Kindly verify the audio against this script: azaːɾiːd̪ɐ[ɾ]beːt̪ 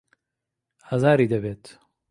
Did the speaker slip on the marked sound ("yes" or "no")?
yes